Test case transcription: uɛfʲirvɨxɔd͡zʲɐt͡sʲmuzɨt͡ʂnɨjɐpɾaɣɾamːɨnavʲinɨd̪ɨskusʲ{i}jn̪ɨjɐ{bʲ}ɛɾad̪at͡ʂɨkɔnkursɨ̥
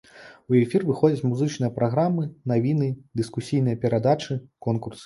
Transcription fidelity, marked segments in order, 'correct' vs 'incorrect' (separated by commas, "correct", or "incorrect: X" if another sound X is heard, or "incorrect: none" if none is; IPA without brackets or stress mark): correct, incorrect: pʲ